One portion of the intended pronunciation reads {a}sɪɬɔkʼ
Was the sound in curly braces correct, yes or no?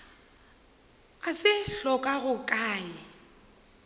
yes